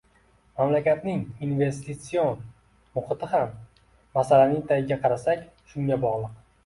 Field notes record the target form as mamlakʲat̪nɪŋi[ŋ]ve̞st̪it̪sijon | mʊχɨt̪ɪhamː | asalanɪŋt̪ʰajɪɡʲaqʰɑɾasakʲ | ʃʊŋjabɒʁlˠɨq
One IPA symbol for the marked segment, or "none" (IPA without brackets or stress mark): n